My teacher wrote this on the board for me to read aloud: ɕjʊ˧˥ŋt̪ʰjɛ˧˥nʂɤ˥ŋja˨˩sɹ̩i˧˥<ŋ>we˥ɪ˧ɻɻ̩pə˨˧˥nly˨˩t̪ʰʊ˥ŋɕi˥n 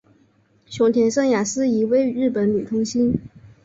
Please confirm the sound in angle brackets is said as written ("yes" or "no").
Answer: no